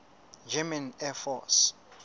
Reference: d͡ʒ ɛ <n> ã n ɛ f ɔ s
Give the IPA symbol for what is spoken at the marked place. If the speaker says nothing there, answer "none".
m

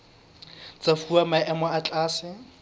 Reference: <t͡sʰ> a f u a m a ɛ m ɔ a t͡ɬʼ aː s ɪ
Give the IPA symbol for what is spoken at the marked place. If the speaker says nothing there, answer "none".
t͡s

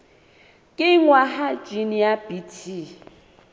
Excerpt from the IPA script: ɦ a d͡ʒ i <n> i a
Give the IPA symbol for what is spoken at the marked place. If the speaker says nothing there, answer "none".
n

